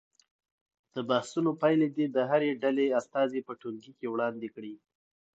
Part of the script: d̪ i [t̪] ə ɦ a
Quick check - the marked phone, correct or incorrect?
incorrect